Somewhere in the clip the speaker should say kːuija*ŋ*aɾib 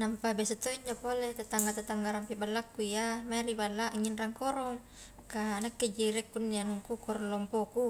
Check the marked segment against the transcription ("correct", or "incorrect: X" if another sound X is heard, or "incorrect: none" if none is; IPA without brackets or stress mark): incorrect: m